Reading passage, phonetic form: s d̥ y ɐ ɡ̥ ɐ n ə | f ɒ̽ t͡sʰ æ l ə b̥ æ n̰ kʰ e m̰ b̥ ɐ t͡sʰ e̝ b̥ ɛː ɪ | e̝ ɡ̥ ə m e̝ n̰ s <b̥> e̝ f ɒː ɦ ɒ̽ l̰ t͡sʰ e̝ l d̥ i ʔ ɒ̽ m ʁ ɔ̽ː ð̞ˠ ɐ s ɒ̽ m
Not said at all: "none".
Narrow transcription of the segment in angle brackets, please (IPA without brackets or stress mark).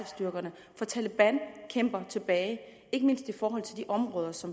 d̥